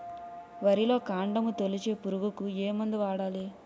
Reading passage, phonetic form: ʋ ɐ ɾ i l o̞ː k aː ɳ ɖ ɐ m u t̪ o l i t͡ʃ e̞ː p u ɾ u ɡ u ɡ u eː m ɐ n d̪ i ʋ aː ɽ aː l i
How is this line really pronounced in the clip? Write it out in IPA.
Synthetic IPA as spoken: ʋ ɐ ɾ i l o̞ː k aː ɳ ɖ ɐ m u t̪ o l i t͡ʃ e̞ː p u ɾ u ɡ u k u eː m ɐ n d̪ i ʋ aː ɽ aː l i